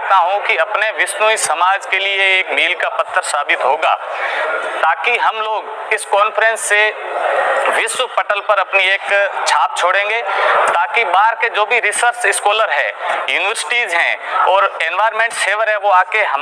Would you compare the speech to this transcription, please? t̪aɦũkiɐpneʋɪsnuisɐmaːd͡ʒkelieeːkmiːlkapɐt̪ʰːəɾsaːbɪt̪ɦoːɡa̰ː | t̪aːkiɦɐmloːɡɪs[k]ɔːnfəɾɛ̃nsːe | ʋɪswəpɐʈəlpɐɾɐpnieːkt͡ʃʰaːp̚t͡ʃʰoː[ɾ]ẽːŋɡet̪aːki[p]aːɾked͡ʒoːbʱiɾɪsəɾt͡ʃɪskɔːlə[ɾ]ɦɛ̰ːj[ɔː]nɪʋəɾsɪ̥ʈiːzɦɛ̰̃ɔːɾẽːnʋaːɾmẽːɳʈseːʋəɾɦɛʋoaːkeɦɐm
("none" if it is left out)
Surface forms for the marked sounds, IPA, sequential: k, ɽ, b, ɾ, uː

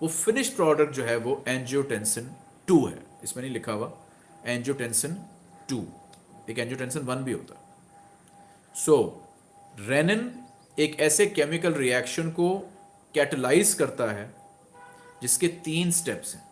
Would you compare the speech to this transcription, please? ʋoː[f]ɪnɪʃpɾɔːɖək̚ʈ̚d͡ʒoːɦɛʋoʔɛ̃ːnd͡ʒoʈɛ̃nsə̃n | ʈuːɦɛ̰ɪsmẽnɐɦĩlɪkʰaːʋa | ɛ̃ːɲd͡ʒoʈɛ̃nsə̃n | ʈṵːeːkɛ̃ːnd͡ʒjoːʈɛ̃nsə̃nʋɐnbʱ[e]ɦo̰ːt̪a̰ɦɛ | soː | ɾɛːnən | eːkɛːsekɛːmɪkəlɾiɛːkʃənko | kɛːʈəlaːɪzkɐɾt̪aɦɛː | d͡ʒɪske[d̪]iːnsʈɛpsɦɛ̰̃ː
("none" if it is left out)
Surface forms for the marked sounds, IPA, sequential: f, i, t̪

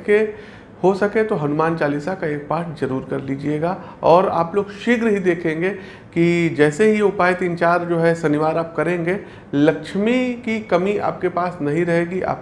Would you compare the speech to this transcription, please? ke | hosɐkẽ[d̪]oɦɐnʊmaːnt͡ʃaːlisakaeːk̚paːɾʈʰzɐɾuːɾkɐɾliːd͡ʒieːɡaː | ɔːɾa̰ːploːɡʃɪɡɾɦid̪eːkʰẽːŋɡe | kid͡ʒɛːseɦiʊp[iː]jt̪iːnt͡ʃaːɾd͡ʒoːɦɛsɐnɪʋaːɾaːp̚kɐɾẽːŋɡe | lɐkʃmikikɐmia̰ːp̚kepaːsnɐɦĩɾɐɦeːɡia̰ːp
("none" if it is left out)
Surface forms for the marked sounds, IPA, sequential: t̪, aː

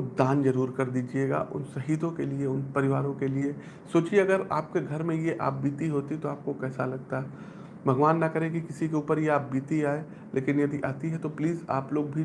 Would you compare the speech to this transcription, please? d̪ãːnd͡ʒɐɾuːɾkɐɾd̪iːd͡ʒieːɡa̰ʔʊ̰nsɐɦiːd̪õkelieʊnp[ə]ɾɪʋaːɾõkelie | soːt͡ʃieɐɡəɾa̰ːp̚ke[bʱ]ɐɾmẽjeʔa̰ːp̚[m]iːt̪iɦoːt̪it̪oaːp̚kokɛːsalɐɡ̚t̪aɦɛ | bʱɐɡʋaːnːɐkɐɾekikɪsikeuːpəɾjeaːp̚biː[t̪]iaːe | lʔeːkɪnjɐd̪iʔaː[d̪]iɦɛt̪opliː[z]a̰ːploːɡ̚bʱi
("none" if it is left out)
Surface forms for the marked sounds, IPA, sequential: ɐ, ɡʱ, b, t̪, t̪, z

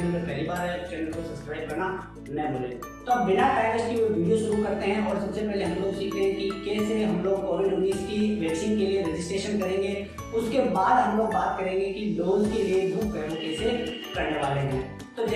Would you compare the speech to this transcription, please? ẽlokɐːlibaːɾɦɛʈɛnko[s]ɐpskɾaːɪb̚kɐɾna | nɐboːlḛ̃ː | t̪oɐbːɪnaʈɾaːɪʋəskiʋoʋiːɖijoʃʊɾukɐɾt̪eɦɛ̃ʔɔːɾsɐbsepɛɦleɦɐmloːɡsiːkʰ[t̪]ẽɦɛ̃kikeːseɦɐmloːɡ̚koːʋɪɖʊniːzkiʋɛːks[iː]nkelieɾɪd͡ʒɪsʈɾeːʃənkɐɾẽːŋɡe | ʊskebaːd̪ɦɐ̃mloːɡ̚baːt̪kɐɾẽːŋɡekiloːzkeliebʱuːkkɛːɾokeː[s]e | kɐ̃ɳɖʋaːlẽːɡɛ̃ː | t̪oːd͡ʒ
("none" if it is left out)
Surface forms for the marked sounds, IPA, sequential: s, t̪, iː, s

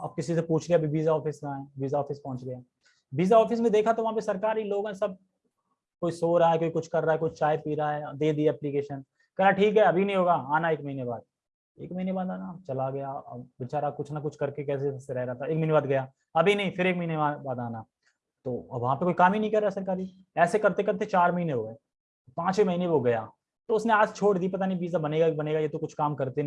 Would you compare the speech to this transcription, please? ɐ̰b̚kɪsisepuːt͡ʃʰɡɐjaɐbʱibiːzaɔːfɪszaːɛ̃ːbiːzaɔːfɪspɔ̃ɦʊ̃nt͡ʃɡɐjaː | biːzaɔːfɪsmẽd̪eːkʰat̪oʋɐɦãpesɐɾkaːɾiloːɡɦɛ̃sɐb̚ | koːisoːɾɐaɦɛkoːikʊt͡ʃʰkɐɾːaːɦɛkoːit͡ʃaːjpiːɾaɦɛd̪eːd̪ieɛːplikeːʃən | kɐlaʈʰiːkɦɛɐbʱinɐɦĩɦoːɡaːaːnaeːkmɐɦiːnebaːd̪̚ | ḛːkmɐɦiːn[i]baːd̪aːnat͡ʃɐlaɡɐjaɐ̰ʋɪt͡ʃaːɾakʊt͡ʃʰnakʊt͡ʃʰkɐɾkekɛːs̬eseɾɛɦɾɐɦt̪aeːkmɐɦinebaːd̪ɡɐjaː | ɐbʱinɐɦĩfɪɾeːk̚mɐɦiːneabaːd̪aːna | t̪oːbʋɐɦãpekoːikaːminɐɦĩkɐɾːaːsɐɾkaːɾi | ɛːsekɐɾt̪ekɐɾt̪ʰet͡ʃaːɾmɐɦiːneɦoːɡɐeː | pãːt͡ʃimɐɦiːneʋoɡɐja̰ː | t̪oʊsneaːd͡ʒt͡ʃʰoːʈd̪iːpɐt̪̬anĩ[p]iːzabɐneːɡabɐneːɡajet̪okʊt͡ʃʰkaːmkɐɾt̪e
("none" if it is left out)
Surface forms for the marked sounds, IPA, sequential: e, b

